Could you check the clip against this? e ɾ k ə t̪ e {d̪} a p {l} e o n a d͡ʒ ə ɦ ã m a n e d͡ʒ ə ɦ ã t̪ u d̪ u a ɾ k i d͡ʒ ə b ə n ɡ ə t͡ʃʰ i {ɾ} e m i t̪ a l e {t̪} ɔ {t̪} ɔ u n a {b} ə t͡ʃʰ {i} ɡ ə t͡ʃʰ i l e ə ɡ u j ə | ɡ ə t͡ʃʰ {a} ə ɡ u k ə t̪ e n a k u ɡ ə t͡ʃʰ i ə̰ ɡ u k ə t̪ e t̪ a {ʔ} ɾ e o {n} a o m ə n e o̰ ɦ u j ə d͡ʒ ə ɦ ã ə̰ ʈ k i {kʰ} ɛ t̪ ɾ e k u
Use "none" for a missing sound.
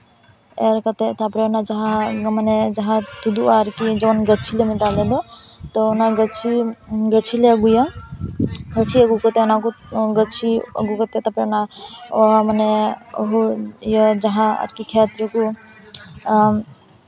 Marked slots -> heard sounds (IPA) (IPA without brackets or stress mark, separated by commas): t̪, ɾ, l, d̪, t̪, ɡ, i, i, p, n, kʰ